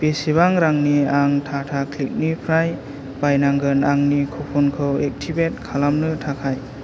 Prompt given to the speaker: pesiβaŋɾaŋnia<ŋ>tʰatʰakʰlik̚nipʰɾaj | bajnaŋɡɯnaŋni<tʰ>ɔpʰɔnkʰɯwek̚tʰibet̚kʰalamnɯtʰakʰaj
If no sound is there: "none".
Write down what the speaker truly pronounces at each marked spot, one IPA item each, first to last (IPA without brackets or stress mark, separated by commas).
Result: ŋ, kʰ